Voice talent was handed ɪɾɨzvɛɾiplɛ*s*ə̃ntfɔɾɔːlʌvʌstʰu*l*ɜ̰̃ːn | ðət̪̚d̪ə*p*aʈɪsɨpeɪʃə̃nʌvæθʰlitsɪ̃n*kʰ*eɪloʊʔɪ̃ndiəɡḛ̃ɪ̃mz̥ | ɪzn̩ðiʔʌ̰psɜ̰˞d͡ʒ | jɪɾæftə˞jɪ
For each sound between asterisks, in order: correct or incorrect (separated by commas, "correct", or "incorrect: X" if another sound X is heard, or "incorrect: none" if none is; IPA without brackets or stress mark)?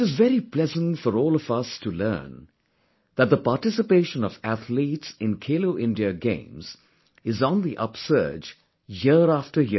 incorrect: z, correct, correct, correct